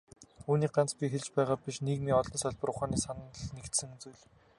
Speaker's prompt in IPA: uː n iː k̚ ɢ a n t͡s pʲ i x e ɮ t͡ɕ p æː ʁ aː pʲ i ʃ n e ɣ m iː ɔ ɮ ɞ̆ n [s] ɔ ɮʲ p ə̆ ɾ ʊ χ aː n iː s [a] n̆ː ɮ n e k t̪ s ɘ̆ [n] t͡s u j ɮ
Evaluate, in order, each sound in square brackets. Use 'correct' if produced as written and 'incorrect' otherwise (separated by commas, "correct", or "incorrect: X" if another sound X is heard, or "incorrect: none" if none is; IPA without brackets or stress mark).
correct, correct, incorrect: ŋ